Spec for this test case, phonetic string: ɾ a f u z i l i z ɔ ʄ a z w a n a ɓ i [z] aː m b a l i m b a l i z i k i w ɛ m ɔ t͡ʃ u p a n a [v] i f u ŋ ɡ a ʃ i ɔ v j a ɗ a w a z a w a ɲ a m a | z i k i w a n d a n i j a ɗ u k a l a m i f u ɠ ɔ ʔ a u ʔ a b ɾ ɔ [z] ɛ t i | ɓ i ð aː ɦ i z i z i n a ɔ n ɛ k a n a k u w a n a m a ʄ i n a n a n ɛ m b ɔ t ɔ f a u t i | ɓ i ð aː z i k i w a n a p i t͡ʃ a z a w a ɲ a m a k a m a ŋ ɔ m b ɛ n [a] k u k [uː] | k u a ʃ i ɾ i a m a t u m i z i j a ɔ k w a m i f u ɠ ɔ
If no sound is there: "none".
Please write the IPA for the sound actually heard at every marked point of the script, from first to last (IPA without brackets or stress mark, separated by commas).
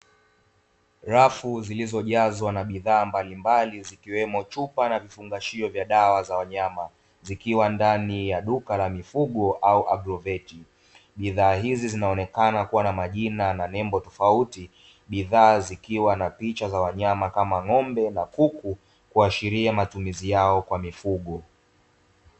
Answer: ð, v, v, a, u